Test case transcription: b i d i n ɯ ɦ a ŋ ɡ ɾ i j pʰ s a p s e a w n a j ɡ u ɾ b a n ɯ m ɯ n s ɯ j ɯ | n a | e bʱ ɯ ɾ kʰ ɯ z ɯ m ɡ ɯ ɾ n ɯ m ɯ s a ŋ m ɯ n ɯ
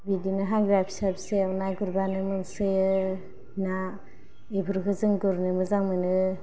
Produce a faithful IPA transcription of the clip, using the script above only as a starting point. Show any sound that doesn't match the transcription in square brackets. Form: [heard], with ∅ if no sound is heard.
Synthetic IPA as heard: b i d i n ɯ ɦ a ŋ ɡ ɾ [a] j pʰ s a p s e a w n a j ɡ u ɾ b a n ɯ m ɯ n s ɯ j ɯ | n a | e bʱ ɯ ɾ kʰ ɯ z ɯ [ŋ] ɡ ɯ ɾ n ɯ m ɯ [z] a ŋ m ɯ n ɯ